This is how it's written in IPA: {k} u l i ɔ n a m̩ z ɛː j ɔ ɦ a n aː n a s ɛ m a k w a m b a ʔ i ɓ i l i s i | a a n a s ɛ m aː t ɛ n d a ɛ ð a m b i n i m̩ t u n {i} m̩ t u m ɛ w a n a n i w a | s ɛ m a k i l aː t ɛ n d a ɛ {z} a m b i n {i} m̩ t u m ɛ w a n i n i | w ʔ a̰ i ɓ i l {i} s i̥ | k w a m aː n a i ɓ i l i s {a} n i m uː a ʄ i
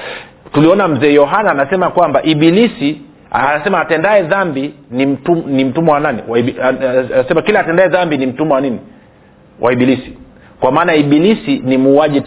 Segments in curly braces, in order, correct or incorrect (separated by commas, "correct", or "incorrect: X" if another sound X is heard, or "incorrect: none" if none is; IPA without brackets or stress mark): incorrect: t, correct, incorrect: ð, correct, correct, incorrect: i